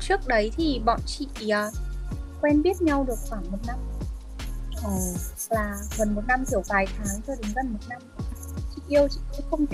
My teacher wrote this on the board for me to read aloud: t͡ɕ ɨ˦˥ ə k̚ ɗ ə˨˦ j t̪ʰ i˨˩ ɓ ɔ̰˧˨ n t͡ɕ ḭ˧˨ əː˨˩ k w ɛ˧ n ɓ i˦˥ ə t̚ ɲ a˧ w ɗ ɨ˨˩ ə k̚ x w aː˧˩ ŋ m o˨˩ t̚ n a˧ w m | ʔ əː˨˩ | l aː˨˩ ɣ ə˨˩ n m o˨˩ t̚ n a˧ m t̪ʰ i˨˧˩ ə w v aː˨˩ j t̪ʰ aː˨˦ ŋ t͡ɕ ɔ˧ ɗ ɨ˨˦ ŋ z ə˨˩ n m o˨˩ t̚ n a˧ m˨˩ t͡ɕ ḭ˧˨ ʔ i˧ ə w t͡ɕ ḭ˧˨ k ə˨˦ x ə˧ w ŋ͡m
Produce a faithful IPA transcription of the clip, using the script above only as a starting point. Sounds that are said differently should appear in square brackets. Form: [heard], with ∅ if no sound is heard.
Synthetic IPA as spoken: t͡ɕ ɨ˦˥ ə k̚ ɗ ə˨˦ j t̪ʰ i˨˩ ɓ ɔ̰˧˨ n t͡ɕ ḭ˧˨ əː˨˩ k w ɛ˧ n ɓ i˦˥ ə t̚ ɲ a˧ w ɗ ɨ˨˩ ə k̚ x w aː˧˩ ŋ m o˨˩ t̚ n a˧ [∅] m | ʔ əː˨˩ | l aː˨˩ ɣ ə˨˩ n m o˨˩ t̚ n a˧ m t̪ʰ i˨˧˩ ə w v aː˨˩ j t̪ʰ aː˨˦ ŋ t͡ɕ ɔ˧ ɗ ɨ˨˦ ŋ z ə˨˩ n m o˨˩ t̚ n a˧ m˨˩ t͡ɕ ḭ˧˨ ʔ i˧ ə w t͡ɕ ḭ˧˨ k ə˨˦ x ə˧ w ŋ͡m